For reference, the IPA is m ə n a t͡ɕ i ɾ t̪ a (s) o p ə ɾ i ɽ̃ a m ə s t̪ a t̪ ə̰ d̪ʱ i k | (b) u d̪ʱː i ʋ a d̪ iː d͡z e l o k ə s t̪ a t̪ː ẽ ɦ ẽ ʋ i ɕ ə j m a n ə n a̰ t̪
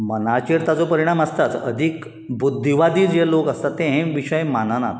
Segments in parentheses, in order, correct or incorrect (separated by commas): incorrect, correct